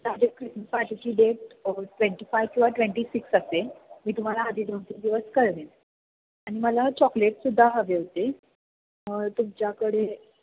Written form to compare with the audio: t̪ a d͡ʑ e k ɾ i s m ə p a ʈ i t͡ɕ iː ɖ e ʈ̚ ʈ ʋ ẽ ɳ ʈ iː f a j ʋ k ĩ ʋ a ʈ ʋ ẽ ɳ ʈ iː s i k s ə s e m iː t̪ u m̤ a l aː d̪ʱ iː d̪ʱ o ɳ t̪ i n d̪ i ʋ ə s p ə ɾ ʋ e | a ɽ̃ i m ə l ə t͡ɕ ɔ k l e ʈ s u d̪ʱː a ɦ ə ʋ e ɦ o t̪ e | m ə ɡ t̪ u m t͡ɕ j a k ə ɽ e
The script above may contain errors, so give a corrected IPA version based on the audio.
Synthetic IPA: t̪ a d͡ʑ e k ɾ i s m ə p a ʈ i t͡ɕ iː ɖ e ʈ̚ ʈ ʋ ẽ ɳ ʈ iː f a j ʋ k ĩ ʋ a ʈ ʋ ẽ ɳ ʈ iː s i k s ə s e m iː t̪ u m̤ a l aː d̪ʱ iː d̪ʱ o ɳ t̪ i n d̪ i ʋ ə s k ə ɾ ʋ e | a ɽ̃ i m ə l a t͡ɕ ɔ k l e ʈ s u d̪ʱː a ɦ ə ʋ e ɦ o t̪ e | m ə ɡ t̪ u m t͡ɕ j a k ə ɽ e